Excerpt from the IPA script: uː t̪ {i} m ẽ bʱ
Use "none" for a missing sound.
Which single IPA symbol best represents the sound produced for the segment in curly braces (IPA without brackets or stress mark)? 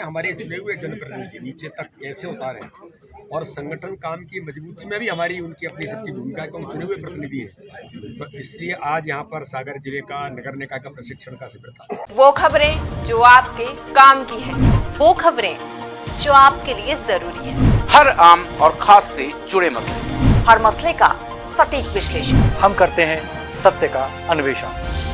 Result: i